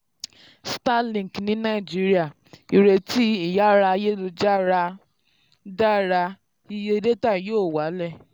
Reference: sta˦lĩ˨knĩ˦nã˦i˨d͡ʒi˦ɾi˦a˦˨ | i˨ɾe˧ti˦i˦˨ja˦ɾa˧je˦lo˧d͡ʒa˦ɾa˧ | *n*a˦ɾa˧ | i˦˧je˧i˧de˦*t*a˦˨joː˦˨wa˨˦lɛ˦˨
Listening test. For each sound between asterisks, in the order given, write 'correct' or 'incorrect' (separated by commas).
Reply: incorrect, correct